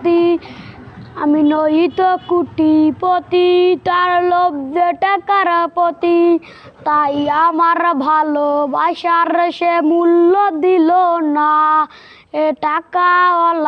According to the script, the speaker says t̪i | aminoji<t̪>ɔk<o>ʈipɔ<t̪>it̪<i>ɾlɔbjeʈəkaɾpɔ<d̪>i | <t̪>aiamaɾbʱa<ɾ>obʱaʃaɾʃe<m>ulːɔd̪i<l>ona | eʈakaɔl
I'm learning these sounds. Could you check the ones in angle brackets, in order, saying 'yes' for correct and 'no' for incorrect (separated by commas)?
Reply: yes, no, yes, no, no, yes, no, yes, yes